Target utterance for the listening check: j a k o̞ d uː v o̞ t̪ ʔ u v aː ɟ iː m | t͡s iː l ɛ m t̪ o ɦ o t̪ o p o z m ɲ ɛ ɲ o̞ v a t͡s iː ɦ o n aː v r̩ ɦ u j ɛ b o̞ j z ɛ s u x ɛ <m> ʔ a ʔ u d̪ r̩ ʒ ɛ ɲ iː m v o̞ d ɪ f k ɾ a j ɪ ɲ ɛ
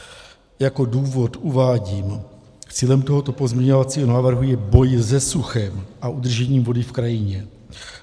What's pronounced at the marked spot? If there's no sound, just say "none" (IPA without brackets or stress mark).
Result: m